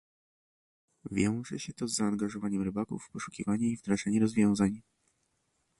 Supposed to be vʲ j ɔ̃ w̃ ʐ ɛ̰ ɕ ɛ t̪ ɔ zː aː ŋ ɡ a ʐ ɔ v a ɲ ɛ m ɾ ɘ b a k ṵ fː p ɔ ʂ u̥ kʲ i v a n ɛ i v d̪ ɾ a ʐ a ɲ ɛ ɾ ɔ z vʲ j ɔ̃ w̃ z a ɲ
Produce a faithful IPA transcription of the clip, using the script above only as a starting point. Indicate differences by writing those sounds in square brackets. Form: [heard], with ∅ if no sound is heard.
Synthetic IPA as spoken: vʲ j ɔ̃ w̃ ʐ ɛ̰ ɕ ɛ t̪ ɔ zː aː ŋ ɡ a ʐ ɔ v a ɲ ɛ m ɾ ɘ b a k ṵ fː p ɔ ʂ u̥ kʲ i v a [ɲ] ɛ i v d̪ ɾ a ʐ a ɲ ɛ ɾ ɔ z vʲ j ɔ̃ w̃ z a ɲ